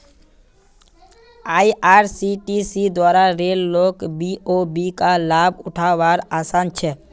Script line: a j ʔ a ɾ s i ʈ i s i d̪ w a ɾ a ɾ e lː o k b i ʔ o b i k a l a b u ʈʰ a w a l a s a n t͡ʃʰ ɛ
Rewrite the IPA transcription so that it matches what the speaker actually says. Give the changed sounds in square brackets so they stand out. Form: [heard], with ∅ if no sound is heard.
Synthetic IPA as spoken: a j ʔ a ɾ s i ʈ i s i d̪ w a ɾ a ɾ e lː o k b i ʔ o b i k a l a b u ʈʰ a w a [ɾ] a s a n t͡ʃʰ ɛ